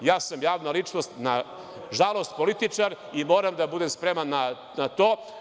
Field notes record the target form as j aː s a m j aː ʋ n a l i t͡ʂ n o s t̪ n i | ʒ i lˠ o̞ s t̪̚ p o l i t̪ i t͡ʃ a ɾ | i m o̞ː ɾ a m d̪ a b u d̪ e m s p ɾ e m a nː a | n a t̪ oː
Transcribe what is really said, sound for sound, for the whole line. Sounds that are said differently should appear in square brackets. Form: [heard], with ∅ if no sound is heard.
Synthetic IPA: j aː s a m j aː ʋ n a l i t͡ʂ n o s t̪ n [a] | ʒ [a] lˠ o̞ s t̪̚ p o l i t̪ i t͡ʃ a ɾ | i m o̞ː ɾ a m d̪ a b u d̪ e m s p ɾ e m a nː a | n a t̪ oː